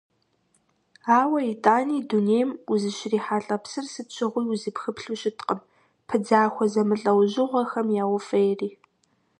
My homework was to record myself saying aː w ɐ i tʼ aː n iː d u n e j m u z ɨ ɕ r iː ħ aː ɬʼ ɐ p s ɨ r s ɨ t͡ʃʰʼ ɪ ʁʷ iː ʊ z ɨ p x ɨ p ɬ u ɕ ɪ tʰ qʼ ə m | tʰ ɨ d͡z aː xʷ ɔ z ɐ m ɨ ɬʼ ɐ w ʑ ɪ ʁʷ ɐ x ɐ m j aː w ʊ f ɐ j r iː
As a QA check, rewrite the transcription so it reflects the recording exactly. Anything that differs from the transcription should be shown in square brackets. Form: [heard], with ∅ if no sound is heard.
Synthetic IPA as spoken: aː w ɐ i tʼ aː n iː d u n e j m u z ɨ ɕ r iː ħ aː ɬʼ ɐ p s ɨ r s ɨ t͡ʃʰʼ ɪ ʁʷ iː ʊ z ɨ p x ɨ p ɬ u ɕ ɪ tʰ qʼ ə m | [pʰ] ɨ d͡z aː xʷ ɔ z ɐ m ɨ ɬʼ ɐ w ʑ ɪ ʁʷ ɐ x ɐ m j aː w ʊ f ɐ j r iː